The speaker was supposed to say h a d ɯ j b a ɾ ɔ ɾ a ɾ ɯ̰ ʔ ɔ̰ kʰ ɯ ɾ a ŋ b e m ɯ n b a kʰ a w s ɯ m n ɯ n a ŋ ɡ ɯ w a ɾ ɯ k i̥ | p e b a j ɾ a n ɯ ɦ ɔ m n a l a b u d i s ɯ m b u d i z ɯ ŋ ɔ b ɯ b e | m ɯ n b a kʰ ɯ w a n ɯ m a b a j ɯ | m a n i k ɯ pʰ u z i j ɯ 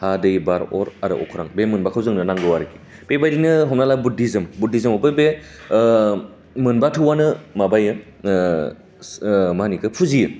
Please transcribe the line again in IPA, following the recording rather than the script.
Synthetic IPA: h a d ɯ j b a ɾ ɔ ɾ a ɾ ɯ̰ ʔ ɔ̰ kʰ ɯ ɾ a ŋ b e m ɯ n b a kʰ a w z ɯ ŋ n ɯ n a ŋ ɡ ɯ w a ɾ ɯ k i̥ | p e b a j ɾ i n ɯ ɦ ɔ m n a l a b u d i z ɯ m b u d i z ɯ m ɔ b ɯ b e | m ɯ n b a tʰ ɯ w a n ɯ m a b a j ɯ | m a n i k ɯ pʰ u z i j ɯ